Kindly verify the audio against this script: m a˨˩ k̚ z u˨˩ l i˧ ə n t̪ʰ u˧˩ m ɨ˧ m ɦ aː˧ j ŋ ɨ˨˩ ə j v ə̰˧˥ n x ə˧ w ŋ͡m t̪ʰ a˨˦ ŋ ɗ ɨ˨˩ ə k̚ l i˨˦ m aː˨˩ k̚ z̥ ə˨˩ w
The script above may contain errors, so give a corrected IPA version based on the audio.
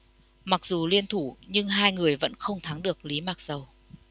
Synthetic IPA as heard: m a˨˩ k̚ z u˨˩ l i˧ ə n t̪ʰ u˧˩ ɲ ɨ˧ ŋ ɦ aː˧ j ŋ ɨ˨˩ ə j v ə̰˧˥ n x ə˧ w ŋ͡m t̪ʰ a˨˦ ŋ ɗ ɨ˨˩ ə k̚ l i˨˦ m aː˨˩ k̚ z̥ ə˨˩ w